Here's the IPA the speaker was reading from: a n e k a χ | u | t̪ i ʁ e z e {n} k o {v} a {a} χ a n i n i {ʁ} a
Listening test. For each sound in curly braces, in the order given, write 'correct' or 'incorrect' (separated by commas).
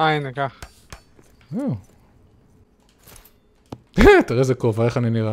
incorrect, correct, incorrect, correct